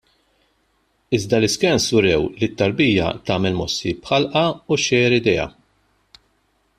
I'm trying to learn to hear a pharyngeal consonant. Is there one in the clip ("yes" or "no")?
yes